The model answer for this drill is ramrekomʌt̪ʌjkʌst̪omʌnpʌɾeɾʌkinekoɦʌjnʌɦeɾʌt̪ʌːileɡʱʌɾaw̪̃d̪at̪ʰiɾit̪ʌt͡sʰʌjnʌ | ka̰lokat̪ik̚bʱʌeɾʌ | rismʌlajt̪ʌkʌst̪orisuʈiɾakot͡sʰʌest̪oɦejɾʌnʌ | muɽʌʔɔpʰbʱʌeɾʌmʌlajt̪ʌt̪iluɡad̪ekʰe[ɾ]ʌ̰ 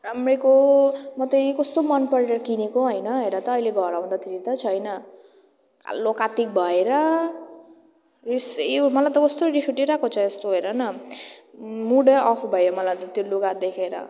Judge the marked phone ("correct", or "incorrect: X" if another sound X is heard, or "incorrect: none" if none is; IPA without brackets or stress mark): correct